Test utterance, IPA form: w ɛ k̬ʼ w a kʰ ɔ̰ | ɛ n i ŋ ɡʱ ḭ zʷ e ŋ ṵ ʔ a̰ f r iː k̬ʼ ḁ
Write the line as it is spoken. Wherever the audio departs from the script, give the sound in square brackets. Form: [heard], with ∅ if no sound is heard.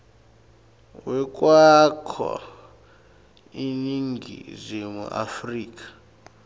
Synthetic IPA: w ɛ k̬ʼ w a kʰ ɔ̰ | [i] n i ŋ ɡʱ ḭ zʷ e [m] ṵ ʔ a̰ f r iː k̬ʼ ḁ